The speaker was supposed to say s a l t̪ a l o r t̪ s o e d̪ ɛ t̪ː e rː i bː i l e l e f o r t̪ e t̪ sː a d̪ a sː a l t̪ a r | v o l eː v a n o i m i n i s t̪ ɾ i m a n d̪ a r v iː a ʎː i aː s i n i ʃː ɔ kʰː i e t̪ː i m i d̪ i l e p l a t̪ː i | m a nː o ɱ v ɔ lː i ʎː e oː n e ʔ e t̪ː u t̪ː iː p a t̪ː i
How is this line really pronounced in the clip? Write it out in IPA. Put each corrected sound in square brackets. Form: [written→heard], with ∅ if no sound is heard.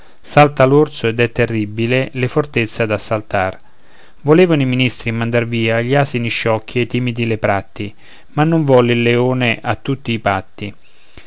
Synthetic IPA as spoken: s a l t̪ a l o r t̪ s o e d̪ ɛ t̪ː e rː i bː i l e l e f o r t̪ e t̪ sː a d̪ a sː a l t̪ a r | v o l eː v a n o i m i n i s t̪ ɾ i m a n d̪ a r v iː a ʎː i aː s i n i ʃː ɔ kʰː i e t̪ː i m i d̪ i l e p [l→ɾ] a t̪ː i | m a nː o ɱ v ɔ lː i [ʎː→lː] e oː n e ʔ [e→a] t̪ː u t̪ː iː p a t̪ː i